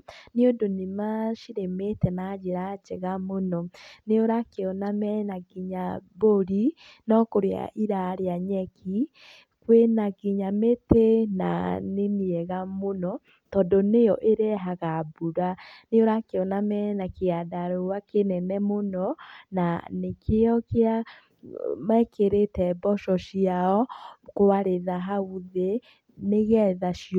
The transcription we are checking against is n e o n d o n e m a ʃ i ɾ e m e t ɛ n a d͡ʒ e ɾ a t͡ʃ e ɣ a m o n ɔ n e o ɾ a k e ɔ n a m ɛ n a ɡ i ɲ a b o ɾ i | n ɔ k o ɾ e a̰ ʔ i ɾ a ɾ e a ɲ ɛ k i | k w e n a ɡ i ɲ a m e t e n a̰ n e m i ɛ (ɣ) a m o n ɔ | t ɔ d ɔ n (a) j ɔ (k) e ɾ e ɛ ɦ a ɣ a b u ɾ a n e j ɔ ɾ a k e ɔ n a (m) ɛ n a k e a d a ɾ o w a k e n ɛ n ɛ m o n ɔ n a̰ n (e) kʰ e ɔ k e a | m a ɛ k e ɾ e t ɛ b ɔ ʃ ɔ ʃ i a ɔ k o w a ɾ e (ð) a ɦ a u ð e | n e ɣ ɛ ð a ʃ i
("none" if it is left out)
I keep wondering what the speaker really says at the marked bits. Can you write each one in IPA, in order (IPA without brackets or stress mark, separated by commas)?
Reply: ɣ, e, ʔ, m, e, ð